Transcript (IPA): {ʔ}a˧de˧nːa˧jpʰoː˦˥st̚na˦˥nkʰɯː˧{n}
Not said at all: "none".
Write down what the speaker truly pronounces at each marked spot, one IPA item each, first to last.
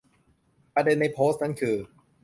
p, none

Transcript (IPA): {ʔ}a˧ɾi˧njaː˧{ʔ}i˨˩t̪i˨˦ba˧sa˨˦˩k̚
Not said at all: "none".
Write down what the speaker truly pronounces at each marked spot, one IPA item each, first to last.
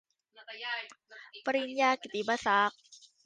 p, k

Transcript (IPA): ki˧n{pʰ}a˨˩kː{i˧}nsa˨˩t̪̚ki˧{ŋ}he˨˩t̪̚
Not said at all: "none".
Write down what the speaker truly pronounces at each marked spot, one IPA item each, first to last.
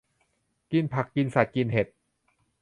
pʰ, i˧, n

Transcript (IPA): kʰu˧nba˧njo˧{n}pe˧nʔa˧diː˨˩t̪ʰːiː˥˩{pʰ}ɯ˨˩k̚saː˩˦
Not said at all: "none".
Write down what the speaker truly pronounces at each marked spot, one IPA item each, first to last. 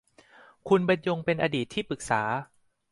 ŋ, p

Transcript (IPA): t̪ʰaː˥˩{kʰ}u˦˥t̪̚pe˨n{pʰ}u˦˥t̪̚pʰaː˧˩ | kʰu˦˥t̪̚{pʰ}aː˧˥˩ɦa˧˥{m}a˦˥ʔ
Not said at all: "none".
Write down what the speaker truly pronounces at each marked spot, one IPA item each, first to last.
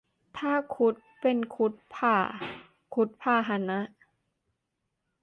kʰ, kʰ, pʰ, n

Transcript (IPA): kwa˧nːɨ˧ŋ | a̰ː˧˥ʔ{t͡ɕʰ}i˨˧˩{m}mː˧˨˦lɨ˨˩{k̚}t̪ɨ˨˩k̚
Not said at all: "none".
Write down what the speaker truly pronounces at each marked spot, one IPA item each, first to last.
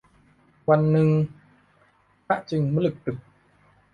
t͡ɕ, ŋ, k̚

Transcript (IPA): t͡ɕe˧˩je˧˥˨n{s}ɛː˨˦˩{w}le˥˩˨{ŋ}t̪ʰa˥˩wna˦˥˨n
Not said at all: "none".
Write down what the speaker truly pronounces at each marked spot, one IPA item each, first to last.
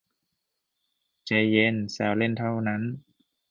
s, w, n

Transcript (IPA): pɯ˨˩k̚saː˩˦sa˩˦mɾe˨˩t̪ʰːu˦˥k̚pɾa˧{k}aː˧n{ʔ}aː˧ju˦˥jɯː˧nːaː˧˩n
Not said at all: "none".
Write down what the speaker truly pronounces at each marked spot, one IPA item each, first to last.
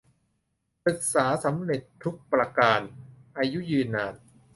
k, ʔ

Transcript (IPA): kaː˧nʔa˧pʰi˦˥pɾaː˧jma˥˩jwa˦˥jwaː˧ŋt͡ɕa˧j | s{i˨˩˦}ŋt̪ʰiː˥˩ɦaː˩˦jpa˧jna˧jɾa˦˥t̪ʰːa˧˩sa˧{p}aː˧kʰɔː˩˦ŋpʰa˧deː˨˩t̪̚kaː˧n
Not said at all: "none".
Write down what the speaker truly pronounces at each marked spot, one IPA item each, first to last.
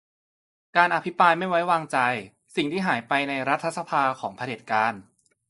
i˨˩, pʰ

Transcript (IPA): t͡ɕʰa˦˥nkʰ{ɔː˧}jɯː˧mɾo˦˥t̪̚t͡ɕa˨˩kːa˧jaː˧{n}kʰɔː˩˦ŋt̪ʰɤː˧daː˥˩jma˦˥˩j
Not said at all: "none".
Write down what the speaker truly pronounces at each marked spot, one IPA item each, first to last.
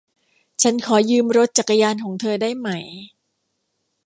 ɔː˩˦, n

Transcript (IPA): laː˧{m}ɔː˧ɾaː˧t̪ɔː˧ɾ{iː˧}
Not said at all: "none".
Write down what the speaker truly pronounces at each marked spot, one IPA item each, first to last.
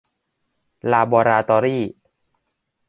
b, iː˥˩

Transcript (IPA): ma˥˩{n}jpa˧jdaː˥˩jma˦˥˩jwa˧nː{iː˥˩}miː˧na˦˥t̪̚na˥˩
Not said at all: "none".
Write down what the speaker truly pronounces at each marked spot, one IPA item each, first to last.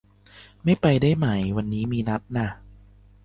none, iː˦˥

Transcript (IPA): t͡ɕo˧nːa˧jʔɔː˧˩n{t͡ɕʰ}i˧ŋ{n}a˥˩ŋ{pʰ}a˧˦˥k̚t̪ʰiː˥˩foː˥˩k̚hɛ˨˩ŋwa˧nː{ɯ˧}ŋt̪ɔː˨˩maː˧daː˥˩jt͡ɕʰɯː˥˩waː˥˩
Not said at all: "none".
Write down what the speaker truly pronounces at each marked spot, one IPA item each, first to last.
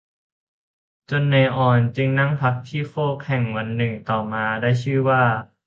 t͡ɕ, n, pʰ, ɯ˨˩

